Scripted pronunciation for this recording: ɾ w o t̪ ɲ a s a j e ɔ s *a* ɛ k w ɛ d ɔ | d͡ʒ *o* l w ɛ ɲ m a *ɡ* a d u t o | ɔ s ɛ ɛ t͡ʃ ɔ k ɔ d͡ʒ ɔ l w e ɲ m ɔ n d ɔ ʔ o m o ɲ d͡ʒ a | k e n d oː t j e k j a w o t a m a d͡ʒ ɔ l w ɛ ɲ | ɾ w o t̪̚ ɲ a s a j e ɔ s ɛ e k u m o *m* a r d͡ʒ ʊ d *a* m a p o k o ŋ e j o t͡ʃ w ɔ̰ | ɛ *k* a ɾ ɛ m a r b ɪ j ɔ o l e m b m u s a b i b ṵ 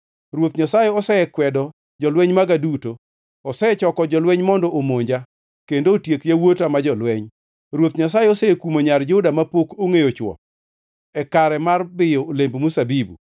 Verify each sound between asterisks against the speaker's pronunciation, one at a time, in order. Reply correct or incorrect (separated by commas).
incorrect, incorrect, correct, incorrect, correct, correct